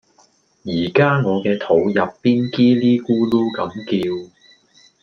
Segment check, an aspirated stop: present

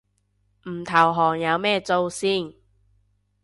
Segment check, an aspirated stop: present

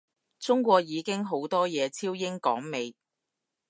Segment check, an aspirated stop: present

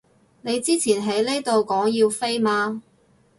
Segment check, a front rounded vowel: absent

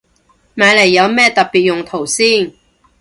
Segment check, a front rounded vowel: absent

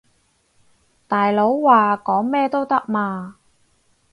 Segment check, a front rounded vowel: absent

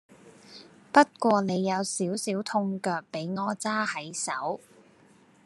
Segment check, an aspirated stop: present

